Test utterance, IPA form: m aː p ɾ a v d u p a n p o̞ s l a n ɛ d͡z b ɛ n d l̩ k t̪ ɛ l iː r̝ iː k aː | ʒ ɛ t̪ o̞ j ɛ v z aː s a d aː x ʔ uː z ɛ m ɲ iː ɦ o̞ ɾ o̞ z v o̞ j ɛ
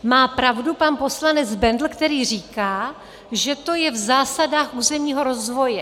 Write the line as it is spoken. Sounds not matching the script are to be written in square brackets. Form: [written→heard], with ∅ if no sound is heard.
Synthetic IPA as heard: m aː p ɾ a v d u p a n p o̞ s l a n ɛ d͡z b ɛ n d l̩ k t̪ ɛ [l→ɾ] iː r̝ iː k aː | ʒ ɛ t̪ o̞ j ɛ v z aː s a d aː x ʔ uː z ɛ m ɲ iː ɦ o̞ ɾ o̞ z v o̞ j ɛ